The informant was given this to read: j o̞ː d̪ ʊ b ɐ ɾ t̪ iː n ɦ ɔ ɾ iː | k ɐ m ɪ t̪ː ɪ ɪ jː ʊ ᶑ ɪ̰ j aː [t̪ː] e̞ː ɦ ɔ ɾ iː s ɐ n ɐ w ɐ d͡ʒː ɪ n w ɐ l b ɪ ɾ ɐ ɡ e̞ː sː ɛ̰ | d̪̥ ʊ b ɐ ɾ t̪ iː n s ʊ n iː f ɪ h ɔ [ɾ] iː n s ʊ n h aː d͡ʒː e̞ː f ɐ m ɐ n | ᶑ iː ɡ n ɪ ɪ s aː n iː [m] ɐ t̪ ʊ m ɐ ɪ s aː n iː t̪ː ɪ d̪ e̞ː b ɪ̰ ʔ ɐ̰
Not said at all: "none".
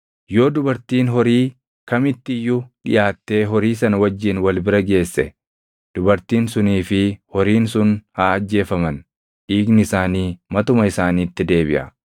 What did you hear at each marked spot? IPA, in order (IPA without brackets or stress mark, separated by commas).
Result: t̪ː, ɾ, m